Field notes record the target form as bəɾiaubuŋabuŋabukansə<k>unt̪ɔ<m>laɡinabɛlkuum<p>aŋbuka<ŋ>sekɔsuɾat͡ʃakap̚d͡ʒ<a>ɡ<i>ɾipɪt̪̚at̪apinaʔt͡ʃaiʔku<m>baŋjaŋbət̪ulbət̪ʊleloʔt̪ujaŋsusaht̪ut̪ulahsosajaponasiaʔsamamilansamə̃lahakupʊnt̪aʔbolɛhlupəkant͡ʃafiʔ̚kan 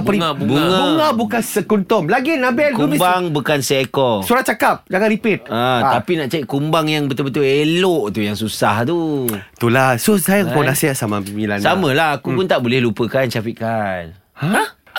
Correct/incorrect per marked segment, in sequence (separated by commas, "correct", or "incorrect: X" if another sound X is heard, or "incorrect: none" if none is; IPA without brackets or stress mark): correct, correct, incorrect: b, incorrect: n, correct, incorrect: a, correct